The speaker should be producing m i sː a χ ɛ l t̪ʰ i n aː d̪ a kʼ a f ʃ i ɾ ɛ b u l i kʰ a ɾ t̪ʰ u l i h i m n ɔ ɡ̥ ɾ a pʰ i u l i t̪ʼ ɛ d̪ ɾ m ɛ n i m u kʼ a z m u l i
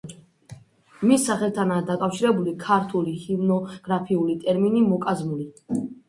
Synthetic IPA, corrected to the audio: m i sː a χ ɛ l t̪ʰ a n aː d̪ a kʼ a f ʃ i ɾ ɛ b u l i kʰ a ɾ t̪ʰ u l i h i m n ɔ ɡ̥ ɾ a pʰ i u l i t̪ʼ ɛ ɾ m i n i m ɔ kʼ a z m u l i